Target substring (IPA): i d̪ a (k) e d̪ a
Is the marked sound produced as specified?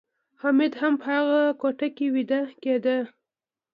yes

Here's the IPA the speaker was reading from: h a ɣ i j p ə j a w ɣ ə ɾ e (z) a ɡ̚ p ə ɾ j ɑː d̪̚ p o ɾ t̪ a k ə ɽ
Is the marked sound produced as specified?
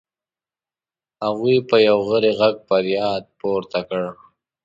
no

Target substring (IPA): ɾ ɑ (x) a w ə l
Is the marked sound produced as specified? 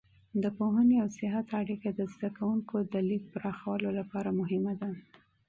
yes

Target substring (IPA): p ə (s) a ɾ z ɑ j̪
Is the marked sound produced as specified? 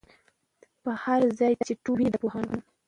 no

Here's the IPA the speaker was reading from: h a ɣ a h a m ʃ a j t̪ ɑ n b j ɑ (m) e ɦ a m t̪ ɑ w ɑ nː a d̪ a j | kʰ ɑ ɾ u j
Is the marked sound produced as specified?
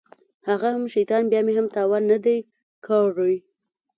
yes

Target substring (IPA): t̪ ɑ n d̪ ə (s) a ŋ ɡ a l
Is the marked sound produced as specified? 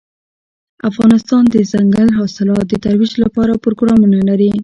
no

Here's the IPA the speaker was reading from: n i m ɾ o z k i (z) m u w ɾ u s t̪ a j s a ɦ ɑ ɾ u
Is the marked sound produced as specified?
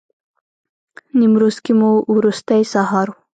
no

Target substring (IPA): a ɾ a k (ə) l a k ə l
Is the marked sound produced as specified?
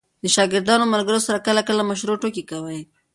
yes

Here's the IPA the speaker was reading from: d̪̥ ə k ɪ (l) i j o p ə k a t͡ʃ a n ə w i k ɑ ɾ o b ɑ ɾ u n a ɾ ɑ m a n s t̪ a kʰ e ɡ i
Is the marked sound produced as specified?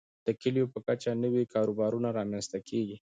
yes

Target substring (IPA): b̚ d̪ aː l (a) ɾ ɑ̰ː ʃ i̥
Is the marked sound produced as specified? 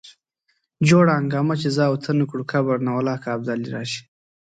no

